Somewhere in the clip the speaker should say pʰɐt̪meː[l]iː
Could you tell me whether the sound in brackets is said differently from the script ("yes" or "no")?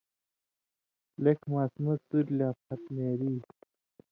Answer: yes